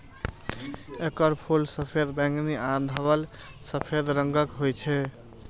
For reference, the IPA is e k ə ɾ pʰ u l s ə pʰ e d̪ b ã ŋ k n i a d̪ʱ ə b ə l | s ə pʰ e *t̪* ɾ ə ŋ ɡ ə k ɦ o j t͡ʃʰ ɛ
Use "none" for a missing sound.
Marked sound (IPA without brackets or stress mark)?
d̪